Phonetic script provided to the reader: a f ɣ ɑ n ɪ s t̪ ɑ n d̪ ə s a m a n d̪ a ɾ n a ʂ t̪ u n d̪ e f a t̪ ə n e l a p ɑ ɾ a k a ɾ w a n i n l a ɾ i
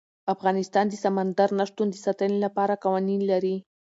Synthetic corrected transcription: a f ɣ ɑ n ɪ s t̪ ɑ n d̪ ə s a m a n d̪ a ɾ n a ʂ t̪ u n d̪ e s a t̪ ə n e l a p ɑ ɾ a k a w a n i n l a ɾ i